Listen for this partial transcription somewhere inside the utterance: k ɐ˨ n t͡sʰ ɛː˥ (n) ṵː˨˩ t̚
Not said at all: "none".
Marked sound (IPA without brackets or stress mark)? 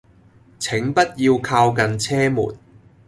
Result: m